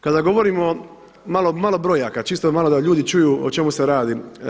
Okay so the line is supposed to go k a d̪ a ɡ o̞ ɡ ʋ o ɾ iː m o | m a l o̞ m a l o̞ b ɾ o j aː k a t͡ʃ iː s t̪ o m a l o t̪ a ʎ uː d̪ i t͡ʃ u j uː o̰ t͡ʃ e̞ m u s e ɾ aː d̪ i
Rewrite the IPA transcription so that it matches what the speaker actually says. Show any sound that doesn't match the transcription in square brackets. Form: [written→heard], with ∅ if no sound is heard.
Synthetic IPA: k a d̪ a ɡ o̞ [ɡ→∅] ʋ o ɾ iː m o | m a l o̞ m a l o̞ b ɾ o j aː k a t͡ʃ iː s t̪ o m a l o [t̪→d̪] a ʎ uː d̪ i t͡ʃ u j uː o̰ t͡ʃ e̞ m u s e ɾ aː d̪ i